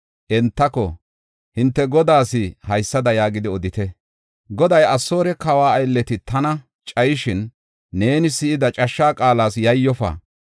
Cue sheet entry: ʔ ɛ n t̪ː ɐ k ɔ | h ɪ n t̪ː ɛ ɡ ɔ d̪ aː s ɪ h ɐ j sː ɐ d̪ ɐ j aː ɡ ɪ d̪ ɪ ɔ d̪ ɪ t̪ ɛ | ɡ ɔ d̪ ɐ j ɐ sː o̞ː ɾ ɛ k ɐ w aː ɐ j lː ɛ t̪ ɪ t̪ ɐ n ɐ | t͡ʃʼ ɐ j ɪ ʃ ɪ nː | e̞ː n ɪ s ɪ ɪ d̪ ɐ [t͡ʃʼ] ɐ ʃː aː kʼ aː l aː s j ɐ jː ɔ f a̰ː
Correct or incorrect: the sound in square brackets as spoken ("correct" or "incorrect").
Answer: correct